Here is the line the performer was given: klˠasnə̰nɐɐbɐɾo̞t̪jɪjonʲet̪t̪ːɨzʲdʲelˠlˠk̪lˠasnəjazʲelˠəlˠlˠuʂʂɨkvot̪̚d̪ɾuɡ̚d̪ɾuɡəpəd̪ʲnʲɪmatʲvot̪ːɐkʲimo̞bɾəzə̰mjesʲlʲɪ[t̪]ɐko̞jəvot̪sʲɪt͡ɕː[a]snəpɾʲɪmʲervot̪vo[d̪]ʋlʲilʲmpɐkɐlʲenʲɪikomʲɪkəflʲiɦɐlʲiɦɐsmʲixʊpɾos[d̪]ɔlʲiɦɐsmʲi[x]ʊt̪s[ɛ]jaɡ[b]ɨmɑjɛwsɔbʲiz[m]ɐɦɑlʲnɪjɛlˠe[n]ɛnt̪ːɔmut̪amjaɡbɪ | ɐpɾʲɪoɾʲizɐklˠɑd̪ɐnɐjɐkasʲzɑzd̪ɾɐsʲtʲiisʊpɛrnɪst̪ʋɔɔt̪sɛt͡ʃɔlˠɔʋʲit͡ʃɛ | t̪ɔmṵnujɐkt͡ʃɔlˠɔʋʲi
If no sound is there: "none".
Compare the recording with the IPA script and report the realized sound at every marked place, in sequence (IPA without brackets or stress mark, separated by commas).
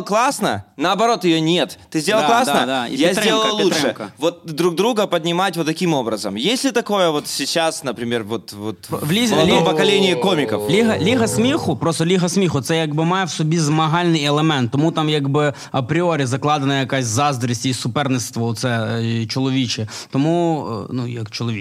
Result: t̪, a, t̪, t̪, x, ɛ, b, m, m